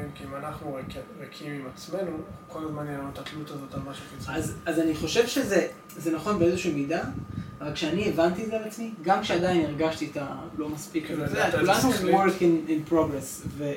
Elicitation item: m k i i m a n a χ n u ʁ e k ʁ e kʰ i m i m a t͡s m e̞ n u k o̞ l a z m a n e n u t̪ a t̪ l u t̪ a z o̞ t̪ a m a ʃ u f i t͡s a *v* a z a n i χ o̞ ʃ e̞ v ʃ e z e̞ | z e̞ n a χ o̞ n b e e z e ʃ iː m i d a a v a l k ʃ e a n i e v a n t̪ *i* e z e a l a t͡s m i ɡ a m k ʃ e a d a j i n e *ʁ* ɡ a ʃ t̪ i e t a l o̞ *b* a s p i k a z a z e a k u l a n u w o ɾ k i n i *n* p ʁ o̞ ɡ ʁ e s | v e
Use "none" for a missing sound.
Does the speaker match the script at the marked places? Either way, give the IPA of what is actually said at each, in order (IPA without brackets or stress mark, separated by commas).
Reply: z, i, ʁ, m, n